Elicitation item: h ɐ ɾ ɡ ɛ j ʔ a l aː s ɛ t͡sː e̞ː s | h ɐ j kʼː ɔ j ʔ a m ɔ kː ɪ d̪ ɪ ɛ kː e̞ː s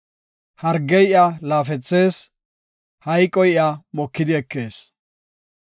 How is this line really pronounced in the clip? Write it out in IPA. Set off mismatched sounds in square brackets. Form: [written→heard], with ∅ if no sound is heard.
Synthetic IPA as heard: h ɐ ɾ ɡ ɛ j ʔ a l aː [s→f] ɛ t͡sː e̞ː s | h ɐ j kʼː ɔ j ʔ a m ɔ kː ɪ d̪ ɪ ɛ kː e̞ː s